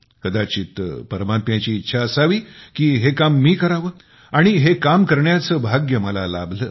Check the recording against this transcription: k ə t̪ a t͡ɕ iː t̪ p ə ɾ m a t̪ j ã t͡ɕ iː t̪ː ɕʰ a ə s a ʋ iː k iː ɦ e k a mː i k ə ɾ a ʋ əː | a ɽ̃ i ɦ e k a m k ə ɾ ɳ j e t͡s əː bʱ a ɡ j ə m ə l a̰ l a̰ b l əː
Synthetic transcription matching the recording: k ə d̪ a t͡ɕ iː t̪ p ə ɾ m a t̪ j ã t͡ɕ iː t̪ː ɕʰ a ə s a ʋ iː k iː ɦ e k a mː iː k ə ɾ a ʋ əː | a ɽ̃ i ɦ e k a m k ə ɾ ɳ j a t͡s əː bʱ a ɡ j ə m ə l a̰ l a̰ b l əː